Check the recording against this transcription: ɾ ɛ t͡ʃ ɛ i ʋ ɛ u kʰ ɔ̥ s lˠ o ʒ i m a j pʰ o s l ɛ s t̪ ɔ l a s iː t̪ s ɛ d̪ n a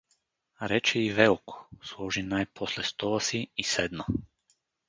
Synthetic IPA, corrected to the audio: ɾ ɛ t͡ʃ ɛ i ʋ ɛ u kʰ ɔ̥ s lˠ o ʒ i n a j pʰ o s l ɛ s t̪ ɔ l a s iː s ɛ d̪ n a